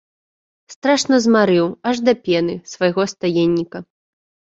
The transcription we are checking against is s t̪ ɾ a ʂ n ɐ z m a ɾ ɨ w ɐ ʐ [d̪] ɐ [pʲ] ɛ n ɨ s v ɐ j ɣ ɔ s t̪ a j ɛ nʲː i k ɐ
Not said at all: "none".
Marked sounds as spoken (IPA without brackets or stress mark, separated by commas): d̪, pʲ